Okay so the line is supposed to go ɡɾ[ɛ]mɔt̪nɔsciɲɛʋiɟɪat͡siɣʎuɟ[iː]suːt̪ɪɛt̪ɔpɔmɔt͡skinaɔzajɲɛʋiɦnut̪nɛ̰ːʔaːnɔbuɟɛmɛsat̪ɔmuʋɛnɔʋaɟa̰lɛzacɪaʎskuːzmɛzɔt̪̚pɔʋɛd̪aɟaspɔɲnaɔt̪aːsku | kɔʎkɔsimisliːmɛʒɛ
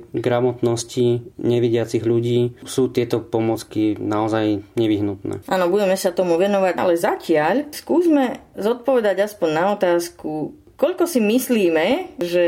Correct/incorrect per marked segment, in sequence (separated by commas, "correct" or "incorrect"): incorrect, correct